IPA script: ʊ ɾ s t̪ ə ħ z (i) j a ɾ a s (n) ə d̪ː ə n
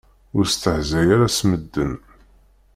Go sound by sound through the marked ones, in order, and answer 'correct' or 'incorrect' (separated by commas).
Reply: incorrect, incorrect